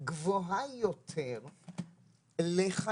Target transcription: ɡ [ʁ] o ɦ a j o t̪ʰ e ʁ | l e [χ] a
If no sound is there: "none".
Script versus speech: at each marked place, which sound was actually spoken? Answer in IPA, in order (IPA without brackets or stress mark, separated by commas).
v, χ